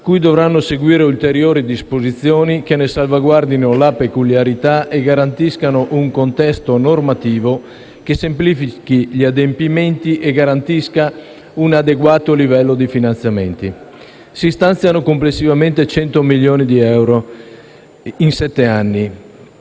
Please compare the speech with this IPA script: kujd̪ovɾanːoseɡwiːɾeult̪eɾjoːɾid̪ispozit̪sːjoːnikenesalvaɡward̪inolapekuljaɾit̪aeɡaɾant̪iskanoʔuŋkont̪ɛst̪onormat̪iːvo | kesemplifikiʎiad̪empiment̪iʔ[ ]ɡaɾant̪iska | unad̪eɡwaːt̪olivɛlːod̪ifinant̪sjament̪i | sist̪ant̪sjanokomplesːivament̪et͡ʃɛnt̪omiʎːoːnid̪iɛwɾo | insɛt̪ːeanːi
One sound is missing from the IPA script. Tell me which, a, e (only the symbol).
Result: e